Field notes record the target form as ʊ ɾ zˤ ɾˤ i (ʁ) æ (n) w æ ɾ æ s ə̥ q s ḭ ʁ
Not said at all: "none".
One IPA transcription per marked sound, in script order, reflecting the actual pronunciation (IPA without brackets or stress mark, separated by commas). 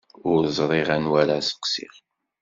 ʁ, n